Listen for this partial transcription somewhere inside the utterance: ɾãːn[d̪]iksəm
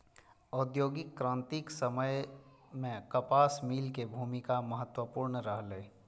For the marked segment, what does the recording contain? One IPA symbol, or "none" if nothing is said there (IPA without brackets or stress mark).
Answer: t̪